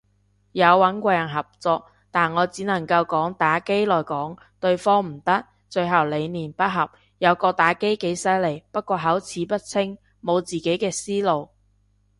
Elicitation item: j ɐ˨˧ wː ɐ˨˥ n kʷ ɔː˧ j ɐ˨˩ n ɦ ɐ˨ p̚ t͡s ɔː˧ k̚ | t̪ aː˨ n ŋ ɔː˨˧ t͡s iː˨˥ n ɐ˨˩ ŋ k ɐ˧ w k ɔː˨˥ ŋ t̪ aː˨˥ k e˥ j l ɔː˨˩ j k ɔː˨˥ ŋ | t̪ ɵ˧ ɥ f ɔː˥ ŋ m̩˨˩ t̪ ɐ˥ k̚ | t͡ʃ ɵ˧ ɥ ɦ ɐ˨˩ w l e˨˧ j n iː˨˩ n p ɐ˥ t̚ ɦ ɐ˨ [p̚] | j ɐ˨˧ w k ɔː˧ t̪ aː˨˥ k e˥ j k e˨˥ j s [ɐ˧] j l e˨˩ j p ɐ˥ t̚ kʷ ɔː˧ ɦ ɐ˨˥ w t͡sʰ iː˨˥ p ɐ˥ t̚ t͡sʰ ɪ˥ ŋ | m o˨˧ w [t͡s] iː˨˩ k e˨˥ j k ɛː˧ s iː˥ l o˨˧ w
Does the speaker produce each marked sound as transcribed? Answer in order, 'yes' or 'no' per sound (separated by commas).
yes, no, yes